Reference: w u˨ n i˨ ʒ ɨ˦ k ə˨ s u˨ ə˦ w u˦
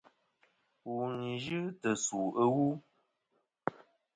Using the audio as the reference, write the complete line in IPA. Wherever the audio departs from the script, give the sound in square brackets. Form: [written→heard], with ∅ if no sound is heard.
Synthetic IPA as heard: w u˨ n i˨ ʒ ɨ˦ [k→t] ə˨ s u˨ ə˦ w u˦